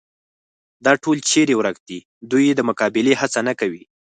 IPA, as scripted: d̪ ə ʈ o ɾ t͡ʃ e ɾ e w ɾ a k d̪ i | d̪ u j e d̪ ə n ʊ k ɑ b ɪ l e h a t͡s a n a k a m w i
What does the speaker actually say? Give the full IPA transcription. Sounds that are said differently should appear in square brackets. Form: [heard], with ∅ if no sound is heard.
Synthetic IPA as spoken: d̪ [ɑ] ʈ o [l] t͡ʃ e ɾ e w ɾ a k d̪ i | d̪ u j e d̪ ə [m] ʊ k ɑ b ɪ l e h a t͡s a n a k a [∅] w i